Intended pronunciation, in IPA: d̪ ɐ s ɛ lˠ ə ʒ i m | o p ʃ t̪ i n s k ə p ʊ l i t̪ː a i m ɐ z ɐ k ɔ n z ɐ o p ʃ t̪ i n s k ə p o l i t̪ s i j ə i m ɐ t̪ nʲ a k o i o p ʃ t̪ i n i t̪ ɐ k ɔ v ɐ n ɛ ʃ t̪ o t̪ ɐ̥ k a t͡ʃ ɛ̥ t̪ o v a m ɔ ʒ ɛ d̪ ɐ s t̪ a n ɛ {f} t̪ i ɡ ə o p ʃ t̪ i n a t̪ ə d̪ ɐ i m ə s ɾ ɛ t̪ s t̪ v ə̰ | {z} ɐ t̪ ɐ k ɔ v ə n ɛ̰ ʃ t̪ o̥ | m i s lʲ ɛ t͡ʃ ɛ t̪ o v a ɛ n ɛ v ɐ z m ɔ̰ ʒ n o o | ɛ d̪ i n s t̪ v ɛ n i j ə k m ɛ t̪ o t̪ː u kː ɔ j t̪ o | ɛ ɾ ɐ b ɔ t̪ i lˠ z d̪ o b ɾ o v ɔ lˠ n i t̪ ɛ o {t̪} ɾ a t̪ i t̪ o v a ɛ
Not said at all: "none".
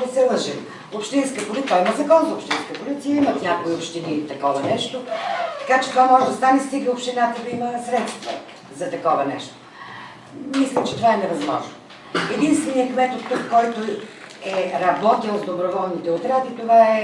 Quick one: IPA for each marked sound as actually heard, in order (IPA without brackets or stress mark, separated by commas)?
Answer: s, z, t̪